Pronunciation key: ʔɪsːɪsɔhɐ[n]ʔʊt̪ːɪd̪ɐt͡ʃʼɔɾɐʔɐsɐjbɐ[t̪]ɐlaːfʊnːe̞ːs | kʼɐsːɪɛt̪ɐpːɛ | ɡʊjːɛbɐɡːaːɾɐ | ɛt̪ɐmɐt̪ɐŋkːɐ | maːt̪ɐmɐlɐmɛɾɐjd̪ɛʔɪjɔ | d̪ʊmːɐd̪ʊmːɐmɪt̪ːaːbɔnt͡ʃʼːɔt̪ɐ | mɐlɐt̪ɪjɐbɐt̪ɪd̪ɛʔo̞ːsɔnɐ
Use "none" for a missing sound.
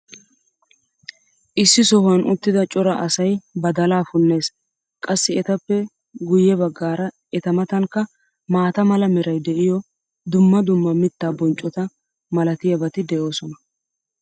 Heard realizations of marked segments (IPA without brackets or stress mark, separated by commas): n, d̪